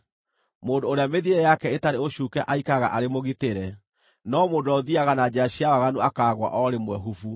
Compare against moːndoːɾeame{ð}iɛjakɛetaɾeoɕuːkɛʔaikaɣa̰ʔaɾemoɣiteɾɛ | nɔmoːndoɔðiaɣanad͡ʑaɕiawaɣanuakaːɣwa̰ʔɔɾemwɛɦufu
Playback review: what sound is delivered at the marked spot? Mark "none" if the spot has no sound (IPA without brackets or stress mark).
ð